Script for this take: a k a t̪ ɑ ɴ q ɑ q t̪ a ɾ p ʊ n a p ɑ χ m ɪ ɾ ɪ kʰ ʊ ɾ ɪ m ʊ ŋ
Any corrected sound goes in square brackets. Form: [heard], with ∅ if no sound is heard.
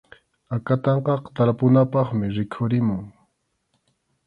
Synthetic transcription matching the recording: a k a t̪ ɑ ɴ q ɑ q t̪ a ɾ p ʊ n a p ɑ χ m ɪ ɾ ɪ kʰ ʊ ɾ ɪ m ʊ ŋ